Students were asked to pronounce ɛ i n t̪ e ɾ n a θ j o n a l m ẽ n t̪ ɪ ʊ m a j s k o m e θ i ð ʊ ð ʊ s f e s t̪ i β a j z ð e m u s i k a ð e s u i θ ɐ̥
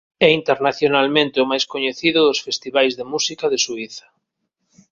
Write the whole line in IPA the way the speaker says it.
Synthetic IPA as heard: ɛ i n t̪ e ɾ n a θ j o n a l m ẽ n t̪ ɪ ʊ m a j s k o ɲ e θ i ð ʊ ð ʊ s f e s t̪ i β a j z ð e m u s i k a ð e s u i θ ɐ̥